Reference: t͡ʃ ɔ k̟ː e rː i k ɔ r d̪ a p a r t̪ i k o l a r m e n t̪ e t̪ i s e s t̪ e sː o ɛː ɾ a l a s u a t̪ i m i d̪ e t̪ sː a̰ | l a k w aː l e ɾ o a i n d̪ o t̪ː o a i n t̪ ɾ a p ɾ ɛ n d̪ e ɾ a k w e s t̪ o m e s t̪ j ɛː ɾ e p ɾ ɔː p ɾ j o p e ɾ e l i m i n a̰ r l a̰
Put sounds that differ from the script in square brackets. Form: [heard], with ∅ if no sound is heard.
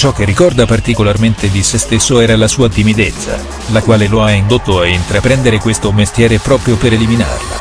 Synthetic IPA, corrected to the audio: t͡ʃ ɔ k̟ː e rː i k ɔ r d̪ a p a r t̪ i k o l a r m e n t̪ e [d̪] i s e s t̪ e sː o ɛː ɾ a l a s [uː] a t̪ i m i d̪ e t̪ sː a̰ | l a k w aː l e [l] o a i n d̪ o t̪ː o a i n t̪ ɾ a p ɾ ɛ n d̪ e ɾ [e] k w e s t̪ o m e s t̪ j ɛː ɾ e p ɾ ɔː p ɾ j o p e ɾ e l i m i n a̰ r l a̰